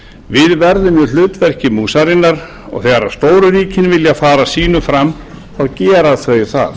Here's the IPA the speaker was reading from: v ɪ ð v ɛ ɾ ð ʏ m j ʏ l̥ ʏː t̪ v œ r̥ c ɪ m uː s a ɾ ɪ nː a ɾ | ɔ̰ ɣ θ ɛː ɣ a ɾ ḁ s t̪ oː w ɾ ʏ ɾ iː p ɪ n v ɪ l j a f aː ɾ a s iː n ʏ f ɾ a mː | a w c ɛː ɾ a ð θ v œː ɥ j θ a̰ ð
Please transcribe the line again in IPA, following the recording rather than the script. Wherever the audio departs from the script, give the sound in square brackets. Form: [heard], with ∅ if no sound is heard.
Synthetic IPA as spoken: v ɪ ð v ɛ ɾ ð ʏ m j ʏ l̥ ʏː t̪ v [ɛ] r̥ c ɪ m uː s a ɾ ɪ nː a ɾ | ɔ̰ ɣ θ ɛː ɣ a ɾ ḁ s t̪ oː w ɾ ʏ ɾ iː [c] ɪ n v ɪ l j a f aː ɾ a s iː n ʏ f ɾ a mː | a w c ɛː ɾ a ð θ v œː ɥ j θ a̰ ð